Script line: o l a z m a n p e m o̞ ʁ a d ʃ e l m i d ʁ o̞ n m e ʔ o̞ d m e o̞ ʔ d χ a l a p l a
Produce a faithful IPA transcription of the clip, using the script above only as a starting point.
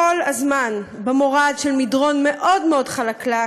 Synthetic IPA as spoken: o l a z m a n b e m o̞ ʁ a d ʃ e l m i d ʁ o̞ n m e ʔ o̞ d m e o̞ d χ a l a k l a